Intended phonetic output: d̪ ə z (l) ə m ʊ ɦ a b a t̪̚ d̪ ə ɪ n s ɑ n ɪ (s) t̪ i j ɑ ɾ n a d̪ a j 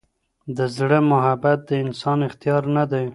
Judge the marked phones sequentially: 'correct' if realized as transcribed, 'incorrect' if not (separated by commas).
incorrect, incorrect